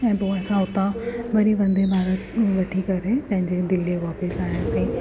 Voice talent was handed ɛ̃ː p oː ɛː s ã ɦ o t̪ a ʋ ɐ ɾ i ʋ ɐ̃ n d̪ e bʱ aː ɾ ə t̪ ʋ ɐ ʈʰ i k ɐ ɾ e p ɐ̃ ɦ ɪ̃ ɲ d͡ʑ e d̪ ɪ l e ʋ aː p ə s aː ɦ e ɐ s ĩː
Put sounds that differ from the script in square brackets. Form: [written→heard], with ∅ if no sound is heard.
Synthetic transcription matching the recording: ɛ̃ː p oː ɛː s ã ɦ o t̪ a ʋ ɐ ɾ i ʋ ɐ̃ n d̪ e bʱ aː ɾ ə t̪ ʋ ɐ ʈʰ i k ɐ ɾ e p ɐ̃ ɦ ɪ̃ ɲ d͡ʑ e d̪ ɪ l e ʋ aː p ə s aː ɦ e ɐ s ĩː